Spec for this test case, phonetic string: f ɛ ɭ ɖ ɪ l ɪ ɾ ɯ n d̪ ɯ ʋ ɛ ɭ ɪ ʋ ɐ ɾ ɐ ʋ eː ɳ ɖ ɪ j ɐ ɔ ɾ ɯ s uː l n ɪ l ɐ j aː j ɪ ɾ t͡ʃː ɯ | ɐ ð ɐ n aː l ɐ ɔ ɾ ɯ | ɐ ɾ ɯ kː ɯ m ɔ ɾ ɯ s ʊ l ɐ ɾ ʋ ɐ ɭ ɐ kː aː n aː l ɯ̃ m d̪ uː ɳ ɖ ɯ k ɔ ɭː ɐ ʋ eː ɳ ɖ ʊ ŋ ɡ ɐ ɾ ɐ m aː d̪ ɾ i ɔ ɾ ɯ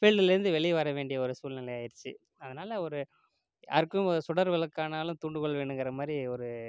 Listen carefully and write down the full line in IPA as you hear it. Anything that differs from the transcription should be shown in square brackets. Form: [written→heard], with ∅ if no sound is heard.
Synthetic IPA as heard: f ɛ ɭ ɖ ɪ l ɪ ɾ ɯ n d̪ ɯ ʋ ɛ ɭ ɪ ʋ ɐ ɾ ɐ ʋ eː ɳ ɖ ɪ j ɐ ɔ ɾ ɯ s uː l n ɪ l ɐ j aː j ɪ ɾ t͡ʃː ɯ | ɐ ð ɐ n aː l ɐ ɔ ɾ ɯ | ɐ ɾ ɯ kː ɯ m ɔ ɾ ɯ s ʊ [l→ɽ] ɐ ɾ ʋ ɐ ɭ ɐ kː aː n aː l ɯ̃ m [d̪→t̪] uː ɳ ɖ ɯ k ɔ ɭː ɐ ʋ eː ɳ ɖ [ʊ→ɯ] ŋ ɡ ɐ ɾ ɐ m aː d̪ ɾ i ɔ ɾ ɯ

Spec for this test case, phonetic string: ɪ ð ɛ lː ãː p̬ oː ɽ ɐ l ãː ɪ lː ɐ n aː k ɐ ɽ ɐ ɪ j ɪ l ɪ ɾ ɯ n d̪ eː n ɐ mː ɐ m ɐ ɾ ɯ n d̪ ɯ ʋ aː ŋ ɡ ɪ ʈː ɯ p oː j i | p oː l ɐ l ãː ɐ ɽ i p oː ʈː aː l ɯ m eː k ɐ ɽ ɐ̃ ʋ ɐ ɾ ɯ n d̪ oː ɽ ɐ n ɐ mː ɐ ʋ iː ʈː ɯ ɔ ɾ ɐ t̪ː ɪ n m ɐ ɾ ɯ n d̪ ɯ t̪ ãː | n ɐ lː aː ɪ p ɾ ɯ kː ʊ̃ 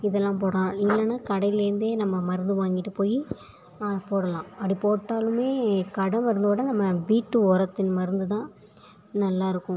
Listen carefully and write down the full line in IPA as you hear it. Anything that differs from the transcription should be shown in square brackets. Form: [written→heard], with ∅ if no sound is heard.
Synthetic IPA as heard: ɪ ð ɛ lː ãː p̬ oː ɽ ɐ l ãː ɪ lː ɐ n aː k ɐ ɽ ɐ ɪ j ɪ l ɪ ɾ ɯ n d̪ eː n ɐ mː ɐ m ɐ ɾ ɯ n d̪ ɯ ʋ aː ŋ ɡ ɪ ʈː ɯ p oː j i | p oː [l→ɽ] ɐ l ãː ɐ ɽ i p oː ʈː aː l ɯ m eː k ɐ ɽ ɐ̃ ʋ ɐ ɾ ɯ n d̪ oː ɽ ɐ n ɐ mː ɐ ʋ iː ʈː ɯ ɔ ɾ ɐ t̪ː ɪ n m ɐ ɾ ɯ n d̪ ɯ t̪ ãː | n ɐ lː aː ɪ [p→∅] ɾ ɯ kː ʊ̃

